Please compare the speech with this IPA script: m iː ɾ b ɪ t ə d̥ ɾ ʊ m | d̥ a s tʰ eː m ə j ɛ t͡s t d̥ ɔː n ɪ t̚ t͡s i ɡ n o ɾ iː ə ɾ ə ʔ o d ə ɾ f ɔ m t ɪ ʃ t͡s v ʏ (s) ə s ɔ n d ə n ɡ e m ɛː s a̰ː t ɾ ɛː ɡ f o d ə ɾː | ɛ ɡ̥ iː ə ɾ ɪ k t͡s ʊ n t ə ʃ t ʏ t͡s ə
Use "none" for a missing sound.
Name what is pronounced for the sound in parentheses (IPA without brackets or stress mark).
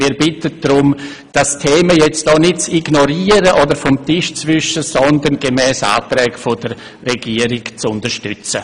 ʃ